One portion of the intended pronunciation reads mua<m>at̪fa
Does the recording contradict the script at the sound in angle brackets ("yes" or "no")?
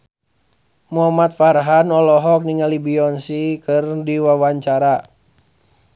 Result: no